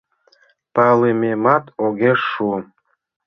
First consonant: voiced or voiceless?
voiceless